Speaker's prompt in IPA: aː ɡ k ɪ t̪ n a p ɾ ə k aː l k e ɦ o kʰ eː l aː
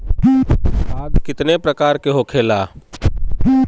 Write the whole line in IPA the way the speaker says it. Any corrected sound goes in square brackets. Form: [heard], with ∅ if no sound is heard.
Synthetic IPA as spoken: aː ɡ k ɪ t̪ n [e] p ɾ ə k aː [ɾ] k e ɦ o kʰ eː l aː